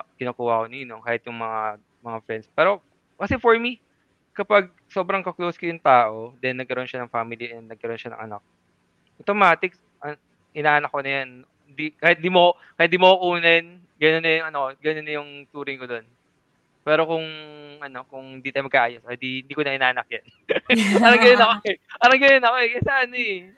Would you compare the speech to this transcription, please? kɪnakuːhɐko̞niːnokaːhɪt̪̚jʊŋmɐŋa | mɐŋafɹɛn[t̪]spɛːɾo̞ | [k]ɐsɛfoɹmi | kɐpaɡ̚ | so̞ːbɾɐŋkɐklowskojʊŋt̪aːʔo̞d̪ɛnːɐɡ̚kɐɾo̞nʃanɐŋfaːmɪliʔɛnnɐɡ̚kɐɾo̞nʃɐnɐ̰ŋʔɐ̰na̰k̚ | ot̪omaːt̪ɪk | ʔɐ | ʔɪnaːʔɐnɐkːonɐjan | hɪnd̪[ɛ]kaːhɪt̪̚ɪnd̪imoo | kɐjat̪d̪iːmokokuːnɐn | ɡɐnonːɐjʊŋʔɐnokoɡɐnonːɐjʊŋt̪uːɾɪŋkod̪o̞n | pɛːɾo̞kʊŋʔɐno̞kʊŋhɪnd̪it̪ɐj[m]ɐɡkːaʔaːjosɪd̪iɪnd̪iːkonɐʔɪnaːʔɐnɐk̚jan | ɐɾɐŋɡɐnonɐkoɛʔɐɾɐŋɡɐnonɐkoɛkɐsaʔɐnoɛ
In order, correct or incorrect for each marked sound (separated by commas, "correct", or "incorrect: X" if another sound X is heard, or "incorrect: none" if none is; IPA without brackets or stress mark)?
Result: incorrect: d̪, correct, incorrect: i, correct